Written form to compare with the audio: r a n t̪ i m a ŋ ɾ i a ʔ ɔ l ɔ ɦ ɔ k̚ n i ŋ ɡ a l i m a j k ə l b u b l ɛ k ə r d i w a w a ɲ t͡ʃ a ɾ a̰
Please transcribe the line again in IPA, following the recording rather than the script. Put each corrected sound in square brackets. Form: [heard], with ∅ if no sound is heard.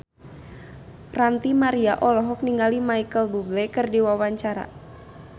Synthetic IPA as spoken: r a n t̪ i m a [∅] ɾ i a ʔ ɔ l ɔ ɦ ɔ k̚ n i ŋ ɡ a l i m a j k ə l b u b l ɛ k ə r d i w a w a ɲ t͡ʃ a ɾ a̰